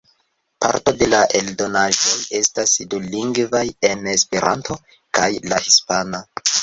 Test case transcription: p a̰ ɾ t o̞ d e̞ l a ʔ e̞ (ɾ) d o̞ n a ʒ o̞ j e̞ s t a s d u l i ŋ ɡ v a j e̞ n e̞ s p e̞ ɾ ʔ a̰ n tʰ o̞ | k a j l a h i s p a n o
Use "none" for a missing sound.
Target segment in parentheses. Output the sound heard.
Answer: l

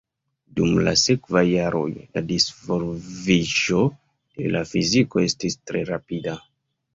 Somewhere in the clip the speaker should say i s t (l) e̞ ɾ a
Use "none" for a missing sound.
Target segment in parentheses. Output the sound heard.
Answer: ɾ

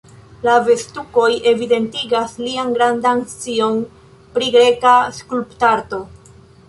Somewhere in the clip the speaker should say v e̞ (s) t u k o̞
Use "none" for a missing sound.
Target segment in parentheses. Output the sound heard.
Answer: s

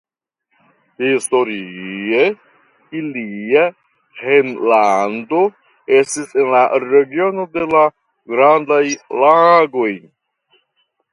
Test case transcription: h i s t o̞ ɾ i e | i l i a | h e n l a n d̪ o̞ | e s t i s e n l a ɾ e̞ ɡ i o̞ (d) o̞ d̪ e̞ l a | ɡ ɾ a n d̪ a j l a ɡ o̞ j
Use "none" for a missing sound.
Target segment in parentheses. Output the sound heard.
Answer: n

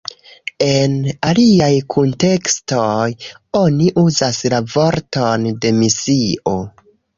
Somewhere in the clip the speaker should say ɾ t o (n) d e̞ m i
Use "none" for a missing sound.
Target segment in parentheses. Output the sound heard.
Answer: n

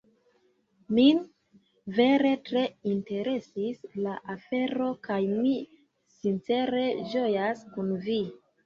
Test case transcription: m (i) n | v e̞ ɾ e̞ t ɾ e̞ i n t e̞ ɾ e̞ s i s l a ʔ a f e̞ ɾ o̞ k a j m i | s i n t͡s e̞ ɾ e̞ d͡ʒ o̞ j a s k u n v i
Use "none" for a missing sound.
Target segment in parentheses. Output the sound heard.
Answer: i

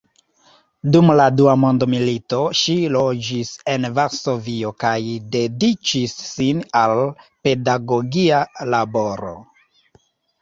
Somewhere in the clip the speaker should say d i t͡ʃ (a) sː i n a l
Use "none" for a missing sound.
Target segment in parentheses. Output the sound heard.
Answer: i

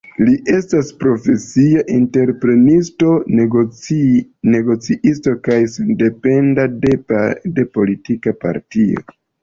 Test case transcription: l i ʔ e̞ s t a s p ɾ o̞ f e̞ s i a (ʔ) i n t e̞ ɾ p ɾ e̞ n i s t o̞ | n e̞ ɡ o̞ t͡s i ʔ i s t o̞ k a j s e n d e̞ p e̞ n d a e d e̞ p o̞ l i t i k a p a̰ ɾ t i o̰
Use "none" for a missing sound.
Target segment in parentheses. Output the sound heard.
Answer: ʔ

